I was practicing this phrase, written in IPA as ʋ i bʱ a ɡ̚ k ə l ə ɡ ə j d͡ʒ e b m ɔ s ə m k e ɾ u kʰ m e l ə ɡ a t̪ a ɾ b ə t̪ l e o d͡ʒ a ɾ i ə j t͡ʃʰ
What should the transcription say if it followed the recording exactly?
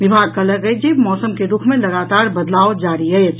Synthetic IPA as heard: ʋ i bʱ a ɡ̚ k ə l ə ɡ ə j d͡ʒ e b m ɔ s ə m k e ɾ u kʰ m e l ə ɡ a t̪ a ɾ b ə d̪ l a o d͡ʒ a ɾ i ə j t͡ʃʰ